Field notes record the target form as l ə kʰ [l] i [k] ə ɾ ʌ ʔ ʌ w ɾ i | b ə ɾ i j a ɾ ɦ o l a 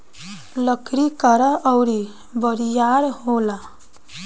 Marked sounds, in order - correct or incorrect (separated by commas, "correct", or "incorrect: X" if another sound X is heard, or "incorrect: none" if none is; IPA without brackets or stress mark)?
incorrect: ɾ, correct